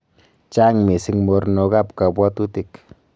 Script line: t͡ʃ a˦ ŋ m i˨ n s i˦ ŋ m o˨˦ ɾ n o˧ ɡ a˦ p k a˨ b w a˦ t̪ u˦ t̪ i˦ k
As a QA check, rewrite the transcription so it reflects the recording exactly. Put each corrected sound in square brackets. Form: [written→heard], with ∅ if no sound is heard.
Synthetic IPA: t͡ʃ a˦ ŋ m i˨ [n→∅] s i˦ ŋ m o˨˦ ɾ n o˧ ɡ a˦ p k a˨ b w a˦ t̪ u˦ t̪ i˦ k